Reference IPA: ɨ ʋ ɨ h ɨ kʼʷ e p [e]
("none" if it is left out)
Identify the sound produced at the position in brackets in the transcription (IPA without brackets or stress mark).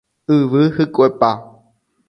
a